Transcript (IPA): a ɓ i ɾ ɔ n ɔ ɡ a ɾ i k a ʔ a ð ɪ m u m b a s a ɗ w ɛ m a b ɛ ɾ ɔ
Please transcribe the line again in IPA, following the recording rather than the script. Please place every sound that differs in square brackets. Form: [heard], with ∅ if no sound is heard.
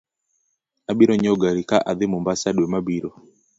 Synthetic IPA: a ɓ i ɾ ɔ [ɲ] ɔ ɡ a ɾ i k a ʔ a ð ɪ m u m b a s a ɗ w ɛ m a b [i] ɾ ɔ